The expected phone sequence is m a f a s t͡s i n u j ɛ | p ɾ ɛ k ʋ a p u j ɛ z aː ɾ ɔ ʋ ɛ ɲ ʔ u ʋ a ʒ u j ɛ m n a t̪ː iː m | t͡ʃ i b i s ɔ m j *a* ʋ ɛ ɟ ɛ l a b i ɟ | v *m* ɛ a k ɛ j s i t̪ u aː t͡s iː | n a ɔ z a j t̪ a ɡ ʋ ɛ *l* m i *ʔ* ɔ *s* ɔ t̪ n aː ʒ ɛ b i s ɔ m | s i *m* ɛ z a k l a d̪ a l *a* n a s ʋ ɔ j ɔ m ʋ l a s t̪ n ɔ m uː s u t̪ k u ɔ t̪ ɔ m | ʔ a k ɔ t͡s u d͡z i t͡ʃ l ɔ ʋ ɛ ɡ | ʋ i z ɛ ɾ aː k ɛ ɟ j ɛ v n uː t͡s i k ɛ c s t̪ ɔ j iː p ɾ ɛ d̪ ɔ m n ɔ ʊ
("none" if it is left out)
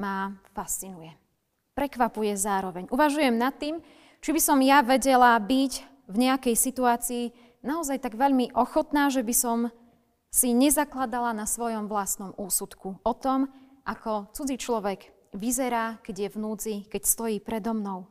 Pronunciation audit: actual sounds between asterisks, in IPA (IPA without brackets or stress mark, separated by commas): a, ɲ, ʎ, ʔ, x, ɲ, a